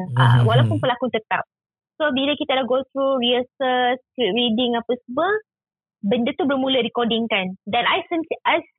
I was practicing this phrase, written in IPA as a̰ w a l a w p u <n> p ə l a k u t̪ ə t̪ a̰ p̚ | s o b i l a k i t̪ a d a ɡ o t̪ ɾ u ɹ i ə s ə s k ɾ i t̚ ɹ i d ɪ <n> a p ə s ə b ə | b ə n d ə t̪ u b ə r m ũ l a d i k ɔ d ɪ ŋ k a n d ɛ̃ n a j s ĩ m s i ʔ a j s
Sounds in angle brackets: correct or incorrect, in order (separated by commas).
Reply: correct, incorrect